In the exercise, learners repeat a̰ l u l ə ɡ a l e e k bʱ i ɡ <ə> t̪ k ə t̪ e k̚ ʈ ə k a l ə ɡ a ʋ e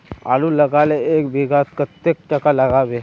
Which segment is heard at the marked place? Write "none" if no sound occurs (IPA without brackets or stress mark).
a